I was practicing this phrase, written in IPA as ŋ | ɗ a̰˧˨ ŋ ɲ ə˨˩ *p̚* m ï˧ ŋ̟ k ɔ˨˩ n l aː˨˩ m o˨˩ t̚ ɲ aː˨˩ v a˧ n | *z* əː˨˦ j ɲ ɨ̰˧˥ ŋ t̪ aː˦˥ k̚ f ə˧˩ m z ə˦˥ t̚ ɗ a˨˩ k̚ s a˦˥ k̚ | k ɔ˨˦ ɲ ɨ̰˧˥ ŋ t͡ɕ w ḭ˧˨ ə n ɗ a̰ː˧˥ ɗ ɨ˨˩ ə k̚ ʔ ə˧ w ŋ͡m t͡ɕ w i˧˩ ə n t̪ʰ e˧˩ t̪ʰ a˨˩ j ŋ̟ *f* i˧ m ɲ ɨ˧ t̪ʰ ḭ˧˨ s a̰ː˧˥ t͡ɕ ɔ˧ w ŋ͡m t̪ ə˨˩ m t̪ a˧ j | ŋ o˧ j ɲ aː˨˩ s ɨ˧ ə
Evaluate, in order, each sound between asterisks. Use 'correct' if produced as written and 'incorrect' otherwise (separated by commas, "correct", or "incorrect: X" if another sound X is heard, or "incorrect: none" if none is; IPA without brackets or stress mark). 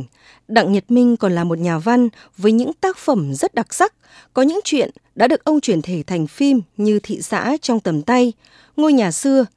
incorrect: t̚, incorrect: v, correct